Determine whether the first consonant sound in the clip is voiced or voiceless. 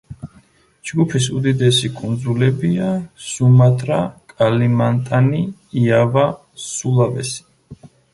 voiced